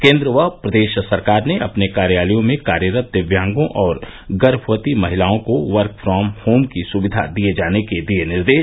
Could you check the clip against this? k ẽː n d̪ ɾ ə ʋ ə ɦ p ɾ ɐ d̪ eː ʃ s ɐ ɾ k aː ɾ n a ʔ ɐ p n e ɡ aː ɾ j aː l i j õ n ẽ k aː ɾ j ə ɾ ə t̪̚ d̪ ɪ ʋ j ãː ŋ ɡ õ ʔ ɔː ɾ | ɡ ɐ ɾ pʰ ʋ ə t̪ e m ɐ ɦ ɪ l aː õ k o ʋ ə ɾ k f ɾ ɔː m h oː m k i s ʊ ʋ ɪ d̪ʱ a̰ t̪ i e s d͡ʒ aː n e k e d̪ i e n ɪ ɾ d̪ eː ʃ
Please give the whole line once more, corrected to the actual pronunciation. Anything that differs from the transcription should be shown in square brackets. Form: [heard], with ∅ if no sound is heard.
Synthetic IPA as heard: k ẽː n d̪ ɾ ə ʋ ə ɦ p ɾ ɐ d̪ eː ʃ s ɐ ɾ k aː ɾ n [e] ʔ ɐ p n e [k] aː ɾ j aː l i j õ [m] ẽ k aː ɾ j ə ɾ ə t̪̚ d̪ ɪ ʋ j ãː ŋ ɡ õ ʔ ɔː ɾ | ɡ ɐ ɾ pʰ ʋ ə t̪ [i] m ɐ ɦ ɪ l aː õ k o ʋ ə ɾ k f ɾ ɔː m h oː m k i s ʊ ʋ ɪ d̪ʱ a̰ [d̪] i e [∅] d͡ʒ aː n e k e d̪ i e n ɪ ɾ d̪ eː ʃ